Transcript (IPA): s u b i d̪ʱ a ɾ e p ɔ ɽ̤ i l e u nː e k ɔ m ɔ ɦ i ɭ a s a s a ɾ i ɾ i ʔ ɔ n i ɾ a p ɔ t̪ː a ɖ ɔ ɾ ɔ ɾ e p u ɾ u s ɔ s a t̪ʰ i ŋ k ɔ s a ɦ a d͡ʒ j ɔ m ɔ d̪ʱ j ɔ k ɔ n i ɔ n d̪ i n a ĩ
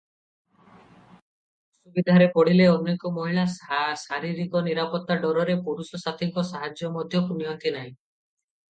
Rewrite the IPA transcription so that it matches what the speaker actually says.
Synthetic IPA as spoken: s u b i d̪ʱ a ɾ e p ɔ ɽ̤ i l e ɔ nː e k ɔ m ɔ ɦ i ɭ a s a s a ɾ i ɾ i k ɔ n i ɾ a p ɔ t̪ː a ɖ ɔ ɾ ɔ ɾ e p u ɾ u s ɔ s a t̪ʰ i ŋ k ɔ s a ɦ a d͡ʒ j ɔ m ɔ d̪ʱ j ɔ k u n i ɔ n t̪ i n a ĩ